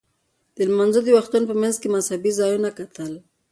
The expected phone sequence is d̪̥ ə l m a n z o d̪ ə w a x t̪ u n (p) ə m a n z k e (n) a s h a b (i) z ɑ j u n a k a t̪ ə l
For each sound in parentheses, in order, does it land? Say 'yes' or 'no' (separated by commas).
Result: yes, no, yes